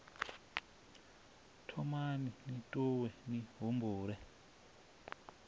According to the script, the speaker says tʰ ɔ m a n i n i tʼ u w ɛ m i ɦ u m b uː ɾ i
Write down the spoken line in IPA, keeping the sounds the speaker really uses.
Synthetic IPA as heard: tʰ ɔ m a n i n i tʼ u w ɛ n i ɦ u m b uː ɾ ɛ